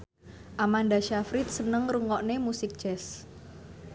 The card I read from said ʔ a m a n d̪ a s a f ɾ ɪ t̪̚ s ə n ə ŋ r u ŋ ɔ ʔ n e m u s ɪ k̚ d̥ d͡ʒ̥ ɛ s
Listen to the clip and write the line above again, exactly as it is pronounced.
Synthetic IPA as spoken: ʔ a m a n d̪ a ʃ a f ɾ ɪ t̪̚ s ə n ə ŋ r u ŋ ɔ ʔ n e m u s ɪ k̚ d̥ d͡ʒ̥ ɛ s